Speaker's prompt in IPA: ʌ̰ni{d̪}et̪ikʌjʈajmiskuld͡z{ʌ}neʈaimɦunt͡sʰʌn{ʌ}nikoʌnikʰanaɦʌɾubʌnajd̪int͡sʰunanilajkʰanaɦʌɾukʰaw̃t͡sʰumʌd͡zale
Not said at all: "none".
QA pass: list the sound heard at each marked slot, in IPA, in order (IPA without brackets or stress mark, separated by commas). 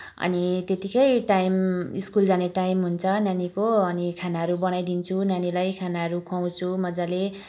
t̪, a, a